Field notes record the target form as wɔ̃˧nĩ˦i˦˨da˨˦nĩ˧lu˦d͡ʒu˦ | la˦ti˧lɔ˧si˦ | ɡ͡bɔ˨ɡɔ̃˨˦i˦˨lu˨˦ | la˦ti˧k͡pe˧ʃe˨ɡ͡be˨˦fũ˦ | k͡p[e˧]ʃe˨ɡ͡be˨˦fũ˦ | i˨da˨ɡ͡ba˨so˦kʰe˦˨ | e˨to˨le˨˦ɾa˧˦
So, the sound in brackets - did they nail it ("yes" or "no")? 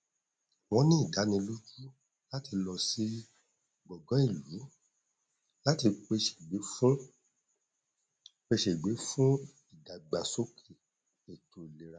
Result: yes